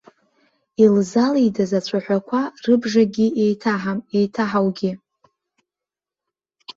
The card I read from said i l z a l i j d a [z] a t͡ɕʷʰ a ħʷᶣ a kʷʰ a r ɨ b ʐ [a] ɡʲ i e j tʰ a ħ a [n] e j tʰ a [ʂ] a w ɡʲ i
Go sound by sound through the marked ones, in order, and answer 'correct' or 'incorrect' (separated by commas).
correct, correct, incorrect, incorrect